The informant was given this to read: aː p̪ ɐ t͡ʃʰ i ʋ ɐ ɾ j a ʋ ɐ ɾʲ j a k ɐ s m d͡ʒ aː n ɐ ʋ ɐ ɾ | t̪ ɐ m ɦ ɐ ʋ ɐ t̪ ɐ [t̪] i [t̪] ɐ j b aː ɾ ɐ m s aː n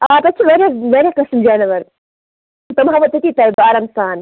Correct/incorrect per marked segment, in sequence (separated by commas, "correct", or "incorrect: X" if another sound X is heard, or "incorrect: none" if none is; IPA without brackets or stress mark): correct, correct